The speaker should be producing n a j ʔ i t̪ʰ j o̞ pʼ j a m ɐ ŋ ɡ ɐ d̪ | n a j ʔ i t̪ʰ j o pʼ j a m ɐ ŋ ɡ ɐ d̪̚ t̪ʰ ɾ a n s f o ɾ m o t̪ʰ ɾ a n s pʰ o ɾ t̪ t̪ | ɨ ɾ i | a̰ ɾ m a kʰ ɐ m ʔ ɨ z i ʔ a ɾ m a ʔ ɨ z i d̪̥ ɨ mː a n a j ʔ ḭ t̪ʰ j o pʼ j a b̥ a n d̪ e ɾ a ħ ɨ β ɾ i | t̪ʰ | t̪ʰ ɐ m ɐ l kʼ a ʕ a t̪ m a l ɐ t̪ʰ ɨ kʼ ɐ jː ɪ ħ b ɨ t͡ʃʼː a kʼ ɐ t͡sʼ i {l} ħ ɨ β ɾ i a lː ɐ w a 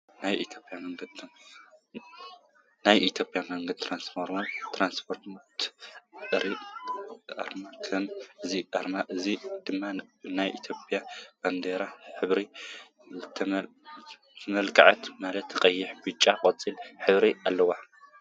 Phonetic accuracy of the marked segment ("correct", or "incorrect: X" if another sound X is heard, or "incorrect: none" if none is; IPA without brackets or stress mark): correct